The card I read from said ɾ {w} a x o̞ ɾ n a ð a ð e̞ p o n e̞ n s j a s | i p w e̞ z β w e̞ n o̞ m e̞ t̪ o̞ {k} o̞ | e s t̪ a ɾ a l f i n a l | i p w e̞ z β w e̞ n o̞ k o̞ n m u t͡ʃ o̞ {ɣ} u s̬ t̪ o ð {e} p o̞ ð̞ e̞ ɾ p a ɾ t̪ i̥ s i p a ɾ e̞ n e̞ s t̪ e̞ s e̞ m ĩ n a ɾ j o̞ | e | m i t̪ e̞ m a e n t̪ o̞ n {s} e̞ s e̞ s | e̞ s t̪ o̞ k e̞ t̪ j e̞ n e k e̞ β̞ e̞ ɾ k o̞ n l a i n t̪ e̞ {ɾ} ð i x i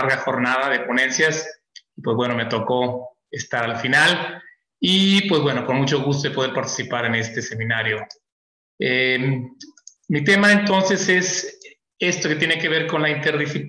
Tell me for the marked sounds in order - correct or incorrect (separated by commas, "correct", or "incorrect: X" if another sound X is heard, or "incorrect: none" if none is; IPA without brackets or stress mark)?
incorrect: ɣ, correct, correct, correct, correct, correct